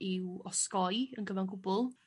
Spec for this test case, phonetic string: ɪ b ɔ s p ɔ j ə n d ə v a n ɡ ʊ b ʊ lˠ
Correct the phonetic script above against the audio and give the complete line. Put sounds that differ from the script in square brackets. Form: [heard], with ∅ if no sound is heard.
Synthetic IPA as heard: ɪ [w] ɔ s [k] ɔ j ə n [ɡ] ə v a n ɡ ʊ b ʊ lˠ